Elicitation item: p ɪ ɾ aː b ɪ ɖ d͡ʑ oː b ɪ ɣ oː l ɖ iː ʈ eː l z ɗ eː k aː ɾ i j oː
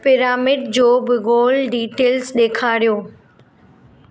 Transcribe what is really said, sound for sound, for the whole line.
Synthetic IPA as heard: p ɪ ɾ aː m ɪ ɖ d͡ʑ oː b ɪ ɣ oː l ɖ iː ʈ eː l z ɗ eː kʰ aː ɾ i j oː

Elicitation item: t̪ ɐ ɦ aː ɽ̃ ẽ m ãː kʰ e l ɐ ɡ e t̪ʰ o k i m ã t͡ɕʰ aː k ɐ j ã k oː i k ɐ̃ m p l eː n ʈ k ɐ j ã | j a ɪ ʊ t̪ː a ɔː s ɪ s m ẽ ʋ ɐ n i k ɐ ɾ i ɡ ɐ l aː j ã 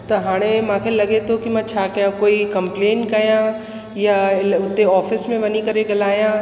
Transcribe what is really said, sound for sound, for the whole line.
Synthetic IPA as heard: t̪ ɐ ɦ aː ɽ̃ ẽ m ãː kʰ e l ɐ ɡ e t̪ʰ o k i m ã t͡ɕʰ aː k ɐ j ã k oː i k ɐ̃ m p l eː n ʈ k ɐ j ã | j a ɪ ʊ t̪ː e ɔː f ɪ s m ẽ ʋ ɐ n i k ɐ ɾ e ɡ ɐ l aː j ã

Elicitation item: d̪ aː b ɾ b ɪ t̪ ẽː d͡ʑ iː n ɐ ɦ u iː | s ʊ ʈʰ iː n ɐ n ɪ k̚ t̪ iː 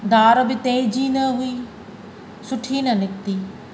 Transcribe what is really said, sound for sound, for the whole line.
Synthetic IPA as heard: d̪ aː ɾ b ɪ t̪ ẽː d͡ʑ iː n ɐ ɦ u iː | s ʊ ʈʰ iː n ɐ n ɪ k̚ t̪ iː

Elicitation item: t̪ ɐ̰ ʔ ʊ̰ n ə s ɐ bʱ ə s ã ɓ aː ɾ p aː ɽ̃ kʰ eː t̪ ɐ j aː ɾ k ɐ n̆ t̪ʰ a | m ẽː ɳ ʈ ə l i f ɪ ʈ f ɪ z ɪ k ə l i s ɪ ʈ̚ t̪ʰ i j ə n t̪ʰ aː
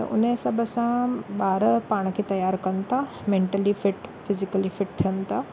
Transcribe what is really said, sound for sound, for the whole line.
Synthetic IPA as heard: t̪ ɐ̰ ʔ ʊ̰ n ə s ɐ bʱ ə s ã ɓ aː ɾ p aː ɽ̃ kʰ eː t̪ ɐ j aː ɾ k ɐ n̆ t̪ʰ a | m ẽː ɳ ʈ ə l i f ɪ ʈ f ɪ z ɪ k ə l i f ɪ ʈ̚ t̪ʰ i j ə n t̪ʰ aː

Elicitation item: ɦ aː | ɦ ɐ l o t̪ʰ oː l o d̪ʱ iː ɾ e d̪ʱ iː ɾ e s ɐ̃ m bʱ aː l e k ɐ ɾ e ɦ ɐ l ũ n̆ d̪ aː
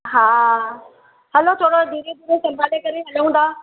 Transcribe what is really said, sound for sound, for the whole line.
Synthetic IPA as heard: ɦ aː | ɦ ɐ l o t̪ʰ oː ɽ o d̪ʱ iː ɾ e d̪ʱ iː ɾ e s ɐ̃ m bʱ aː l e k ɐ ɾ e ɦ ɐ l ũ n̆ d̪ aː

